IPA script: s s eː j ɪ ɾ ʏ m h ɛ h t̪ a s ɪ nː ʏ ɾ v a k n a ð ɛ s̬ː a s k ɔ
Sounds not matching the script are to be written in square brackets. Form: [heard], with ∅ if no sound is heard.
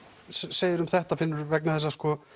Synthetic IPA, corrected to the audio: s s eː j ɪ ɾ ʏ m [θ] ɛ h t̪ a [f] ɪ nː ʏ ɾ v [ɛ] k n a [θ] ɛ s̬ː a s k ɔ